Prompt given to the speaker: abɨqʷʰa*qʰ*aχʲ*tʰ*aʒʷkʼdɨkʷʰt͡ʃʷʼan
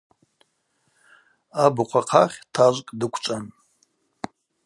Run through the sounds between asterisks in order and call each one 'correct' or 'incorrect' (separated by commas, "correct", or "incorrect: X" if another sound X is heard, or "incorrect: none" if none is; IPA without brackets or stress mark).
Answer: correct, correct